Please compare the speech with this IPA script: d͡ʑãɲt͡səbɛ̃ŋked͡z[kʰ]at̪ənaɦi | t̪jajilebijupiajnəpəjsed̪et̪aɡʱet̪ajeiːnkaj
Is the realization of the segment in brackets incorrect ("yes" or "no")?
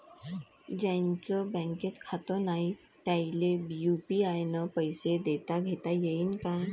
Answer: no